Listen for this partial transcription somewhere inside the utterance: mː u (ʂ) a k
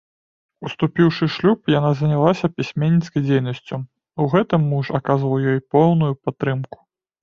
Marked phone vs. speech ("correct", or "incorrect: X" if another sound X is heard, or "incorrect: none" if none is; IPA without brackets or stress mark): correct